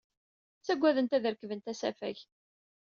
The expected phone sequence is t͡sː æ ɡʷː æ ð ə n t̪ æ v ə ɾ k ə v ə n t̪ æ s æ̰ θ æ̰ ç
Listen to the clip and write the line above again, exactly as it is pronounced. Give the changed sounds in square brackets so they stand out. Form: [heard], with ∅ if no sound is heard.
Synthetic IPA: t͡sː æ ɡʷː æ ð ə n t̪ æ [ð] ə ɾ k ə v ə n t̪ æ s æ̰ [f] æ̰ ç